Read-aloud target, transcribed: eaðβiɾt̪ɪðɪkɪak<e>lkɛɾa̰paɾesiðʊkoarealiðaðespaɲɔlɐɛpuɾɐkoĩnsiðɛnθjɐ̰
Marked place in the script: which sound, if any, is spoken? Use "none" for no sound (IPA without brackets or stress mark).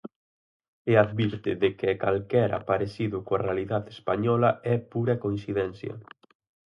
a